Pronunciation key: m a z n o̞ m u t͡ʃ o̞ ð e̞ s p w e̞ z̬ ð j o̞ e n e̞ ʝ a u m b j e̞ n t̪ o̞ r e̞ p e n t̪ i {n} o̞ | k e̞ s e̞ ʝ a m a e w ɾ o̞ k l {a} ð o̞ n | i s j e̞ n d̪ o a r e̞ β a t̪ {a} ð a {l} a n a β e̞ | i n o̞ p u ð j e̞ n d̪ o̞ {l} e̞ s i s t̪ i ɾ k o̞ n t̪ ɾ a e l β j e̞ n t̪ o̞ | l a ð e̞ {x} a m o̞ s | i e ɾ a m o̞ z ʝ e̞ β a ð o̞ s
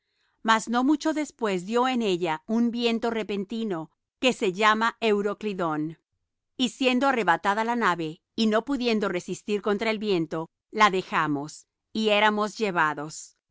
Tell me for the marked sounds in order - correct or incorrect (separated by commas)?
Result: correct, incorrect, correct, correct, incorrect, correct